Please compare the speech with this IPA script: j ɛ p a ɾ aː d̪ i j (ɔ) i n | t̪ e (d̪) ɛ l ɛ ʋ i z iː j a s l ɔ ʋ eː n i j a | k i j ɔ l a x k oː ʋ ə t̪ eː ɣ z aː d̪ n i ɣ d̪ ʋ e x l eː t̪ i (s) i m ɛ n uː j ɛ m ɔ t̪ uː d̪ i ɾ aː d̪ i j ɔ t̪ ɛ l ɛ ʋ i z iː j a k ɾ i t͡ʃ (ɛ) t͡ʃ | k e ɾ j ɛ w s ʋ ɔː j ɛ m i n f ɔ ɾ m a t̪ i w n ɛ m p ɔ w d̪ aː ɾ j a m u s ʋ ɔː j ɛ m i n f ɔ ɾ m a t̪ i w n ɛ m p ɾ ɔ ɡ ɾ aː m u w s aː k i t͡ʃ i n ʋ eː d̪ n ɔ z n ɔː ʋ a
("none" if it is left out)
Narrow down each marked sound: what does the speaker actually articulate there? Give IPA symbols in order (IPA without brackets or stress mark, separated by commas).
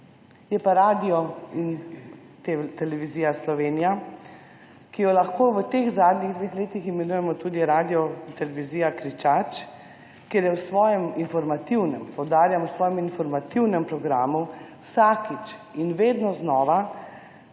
ɔ, t̪, x, a